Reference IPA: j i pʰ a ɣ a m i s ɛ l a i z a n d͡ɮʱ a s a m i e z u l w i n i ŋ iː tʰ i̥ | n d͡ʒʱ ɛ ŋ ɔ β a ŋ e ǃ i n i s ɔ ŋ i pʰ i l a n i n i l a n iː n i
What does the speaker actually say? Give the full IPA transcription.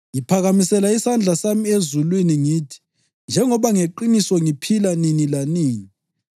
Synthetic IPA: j i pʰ a ɣ a m i s ɛ l a i s a n d͡ɮʱ a s a m i e z u l w i n i ŋ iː tʰ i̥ | n d͡ʒʱ ɛ ŋ ɔ β a ŋ e ǃ i n i s ɔ ŋ i pʰ i l a n i n i l a n iː n i